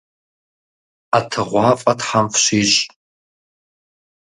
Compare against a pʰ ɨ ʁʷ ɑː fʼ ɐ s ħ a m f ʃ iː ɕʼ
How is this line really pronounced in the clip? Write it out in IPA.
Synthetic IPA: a tʰ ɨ ʁʷ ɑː fʼ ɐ t ħ a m f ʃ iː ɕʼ